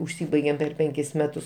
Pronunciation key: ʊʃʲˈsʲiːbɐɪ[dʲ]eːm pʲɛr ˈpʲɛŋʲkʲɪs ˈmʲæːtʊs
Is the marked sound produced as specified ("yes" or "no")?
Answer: no